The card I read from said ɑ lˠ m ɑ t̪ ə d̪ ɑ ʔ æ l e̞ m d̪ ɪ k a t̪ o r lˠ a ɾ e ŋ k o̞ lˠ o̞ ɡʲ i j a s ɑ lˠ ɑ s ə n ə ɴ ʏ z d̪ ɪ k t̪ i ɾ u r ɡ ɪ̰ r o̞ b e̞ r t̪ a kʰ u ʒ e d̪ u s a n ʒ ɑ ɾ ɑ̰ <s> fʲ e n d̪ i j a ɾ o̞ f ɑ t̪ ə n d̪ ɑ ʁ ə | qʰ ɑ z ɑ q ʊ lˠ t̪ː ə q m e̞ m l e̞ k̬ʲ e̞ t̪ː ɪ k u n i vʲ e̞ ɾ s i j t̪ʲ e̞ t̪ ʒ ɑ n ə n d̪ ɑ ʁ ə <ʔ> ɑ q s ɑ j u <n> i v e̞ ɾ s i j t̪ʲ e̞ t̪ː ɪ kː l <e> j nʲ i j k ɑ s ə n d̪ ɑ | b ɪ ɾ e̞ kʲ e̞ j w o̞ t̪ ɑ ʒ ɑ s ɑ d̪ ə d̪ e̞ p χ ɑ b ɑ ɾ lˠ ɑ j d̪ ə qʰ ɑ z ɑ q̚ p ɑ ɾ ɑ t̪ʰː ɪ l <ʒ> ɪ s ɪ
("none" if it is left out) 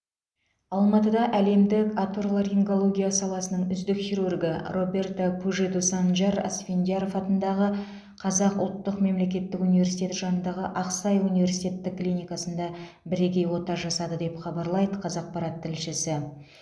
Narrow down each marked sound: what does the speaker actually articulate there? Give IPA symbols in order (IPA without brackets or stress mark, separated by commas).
s, ʔ, n, i, ʃ